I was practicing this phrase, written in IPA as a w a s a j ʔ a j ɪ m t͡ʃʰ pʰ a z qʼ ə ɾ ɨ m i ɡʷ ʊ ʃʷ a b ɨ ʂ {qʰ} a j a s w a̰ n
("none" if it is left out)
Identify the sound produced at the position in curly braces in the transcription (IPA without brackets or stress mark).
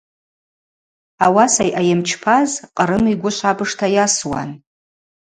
tʰ